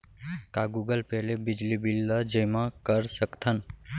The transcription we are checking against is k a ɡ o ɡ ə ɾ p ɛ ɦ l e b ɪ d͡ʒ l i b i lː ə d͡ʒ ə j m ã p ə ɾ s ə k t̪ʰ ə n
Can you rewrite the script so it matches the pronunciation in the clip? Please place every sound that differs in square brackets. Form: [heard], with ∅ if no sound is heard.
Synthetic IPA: k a ɡ [u] ɡ ə [l] p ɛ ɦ l e b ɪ d͡ʒ l i b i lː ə d͡ʒ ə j m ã [k] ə ɾ s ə k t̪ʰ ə n

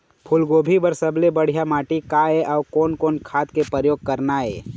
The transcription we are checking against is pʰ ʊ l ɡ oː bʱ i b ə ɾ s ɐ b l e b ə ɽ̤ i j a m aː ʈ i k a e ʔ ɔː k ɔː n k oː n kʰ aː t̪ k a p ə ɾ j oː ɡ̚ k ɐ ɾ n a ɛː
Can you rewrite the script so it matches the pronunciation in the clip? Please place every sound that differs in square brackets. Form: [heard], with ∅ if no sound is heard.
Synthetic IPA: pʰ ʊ l ɡ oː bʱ i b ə ɾ s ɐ b l e b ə ɽ̤ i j a m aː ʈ i k a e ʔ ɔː k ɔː n k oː n kʰ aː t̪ k [e] p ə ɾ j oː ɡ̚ k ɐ ɾ n a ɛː

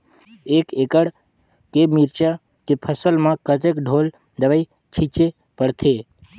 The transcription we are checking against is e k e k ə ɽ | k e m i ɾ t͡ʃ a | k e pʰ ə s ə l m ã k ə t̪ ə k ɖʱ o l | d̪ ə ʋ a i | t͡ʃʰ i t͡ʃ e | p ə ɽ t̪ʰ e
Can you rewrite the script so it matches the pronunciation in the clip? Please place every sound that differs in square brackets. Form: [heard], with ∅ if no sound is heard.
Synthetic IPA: e k e k ə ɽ | k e m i ɾ t͡ʃ a | k e pʰ ə s ə l m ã k ə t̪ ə k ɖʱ o l | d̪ ə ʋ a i | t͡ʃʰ i t͡ʃ e | p ə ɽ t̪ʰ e

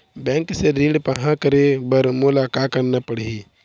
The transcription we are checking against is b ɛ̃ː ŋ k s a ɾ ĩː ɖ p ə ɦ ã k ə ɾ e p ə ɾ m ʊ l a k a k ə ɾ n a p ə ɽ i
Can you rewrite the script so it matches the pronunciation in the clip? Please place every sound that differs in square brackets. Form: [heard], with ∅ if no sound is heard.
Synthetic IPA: b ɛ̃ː ŋ k s [e] ɾ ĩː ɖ p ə ɦ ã k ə ɾ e [b] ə ɾ m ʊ l a k a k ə ɾ n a p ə ɽ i

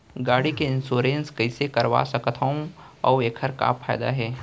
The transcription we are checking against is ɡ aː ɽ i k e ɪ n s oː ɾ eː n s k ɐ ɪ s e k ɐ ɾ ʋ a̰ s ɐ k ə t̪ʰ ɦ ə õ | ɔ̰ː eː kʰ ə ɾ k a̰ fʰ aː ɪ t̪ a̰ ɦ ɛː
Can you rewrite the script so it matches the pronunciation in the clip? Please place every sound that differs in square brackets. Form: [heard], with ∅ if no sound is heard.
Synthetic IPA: ɡ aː ɽ i k e ɪ n s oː ɾ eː n s k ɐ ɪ s e k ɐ ɾ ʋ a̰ s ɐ k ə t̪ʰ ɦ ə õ | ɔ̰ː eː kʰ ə ɾ k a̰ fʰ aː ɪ [d̪] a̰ ɦ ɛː

